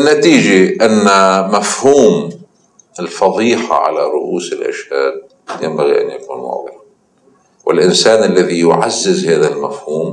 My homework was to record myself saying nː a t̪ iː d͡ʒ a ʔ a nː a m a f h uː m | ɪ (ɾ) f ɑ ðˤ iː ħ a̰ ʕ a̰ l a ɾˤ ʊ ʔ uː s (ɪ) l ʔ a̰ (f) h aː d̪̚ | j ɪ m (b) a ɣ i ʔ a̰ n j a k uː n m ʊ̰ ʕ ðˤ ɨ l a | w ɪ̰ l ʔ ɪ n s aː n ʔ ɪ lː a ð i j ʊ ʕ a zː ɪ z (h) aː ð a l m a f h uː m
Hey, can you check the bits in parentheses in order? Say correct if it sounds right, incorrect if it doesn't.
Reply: incorrect, correct, incorrect, correct, correct

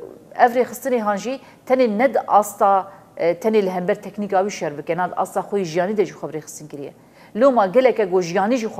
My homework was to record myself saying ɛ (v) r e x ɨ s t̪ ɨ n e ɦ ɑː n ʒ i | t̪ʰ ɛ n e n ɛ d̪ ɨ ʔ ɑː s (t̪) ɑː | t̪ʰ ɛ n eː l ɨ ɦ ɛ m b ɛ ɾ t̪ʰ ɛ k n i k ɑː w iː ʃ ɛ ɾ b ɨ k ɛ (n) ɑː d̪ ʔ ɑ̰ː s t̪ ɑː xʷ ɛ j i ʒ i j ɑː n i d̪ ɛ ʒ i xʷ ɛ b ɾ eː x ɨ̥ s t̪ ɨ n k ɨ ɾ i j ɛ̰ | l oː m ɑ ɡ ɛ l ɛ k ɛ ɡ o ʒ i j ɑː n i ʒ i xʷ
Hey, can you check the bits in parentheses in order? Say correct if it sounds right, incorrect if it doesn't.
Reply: correct, correct, correct

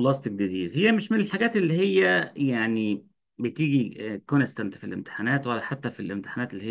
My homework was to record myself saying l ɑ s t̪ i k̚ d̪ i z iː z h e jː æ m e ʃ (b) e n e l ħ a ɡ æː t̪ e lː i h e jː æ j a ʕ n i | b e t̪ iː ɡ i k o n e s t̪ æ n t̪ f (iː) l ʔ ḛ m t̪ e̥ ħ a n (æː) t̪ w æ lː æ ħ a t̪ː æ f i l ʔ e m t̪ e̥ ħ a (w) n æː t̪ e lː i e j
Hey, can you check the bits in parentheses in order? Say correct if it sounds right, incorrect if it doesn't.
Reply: incorrect, incorrect, correct, incorrect

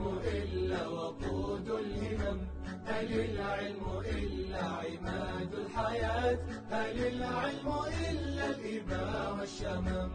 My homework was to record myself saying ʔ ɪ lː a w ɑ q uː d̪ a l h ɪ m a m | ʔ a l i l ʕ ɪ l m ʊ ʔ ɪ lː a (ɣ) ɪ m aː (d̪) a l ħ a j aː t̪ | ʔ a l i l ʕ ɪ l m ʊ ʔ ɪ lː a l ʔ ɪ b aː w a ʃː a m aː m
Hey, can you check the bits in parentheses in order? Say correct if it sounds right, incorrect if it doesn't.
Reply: incorrect, correct

